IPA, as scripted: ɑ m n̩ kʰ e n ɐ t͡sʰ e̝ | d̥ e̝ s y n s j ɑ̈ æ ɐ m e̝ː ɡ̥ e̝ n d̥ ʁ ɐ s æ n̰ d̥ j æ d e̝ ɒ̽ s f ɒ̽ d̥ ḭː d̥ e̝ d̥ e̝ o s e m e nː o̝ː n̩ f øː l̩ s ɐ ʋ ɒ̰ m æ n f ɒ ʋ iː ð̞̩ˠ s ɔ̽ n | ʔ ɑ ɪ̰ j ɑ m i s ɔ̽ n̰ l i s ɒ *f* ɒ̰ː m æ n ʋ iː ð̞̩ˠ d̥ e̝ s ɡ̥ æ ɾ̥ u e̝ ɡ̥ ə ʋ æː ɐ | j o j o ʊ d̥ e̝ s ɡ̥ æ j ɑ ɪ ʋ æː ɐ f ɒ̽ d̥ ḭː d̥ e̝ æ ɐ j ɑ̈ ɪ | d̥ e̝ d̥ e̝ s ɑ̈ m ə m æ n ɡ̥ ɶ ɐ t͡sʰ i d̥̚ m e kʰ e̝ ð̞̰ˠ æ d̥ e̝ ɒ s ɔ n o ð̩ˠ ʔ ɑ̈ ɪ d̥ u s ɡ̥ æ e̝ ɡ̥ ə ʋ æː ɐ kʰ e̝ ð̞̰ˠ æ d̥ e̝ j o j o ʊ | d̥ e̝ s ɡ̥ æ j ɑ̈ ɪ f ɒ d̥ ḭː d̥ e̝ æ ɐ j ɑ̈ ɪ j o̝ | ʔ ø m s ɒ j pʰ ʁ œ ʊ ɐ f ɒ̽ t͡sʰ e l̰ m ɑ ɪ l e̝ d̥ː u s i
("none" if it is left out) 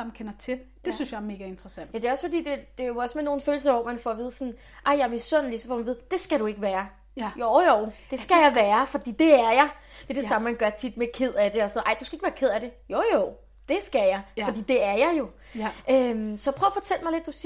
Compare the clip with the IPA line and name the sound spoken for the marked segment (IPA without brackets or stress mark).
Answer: f